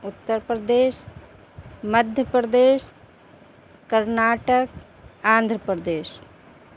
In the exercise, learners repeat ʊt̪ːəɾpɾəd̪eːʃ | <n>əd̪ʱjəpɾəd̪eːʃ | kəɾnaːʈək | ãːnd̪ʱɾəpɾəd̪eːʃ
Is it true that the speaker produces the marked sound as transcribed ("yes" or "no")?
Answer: no